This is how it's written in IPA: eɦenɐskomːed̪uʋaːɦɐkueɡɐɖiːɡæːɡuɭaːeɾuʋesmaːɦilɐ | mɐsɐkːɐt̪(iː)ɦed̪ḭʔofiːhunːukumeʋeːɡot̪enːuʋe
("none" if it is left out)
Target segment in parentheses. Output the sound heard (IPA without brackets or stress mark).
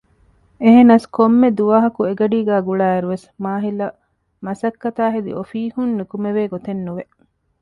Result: aː